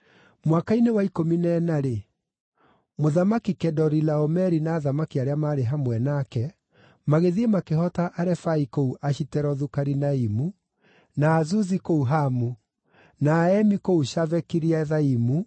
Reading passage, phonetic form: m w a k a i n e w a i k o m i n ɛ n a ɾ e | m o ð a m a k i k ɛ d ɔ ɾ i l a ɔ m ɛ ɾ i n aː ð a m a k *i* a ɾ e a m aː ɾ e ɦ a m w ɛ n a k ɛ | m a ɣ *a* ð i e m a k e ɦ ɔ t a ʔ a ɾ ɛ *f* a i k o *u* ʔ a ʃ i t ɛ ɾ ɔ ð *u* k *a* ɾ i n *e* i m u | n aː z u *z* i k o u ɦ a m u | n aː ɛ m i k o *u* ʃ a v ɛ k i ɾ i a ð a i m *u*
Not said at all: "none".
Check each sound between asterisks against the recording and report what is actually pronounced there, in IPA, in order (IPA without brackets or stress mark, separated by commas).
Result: i, e, f, u, u, a, a, z, u, u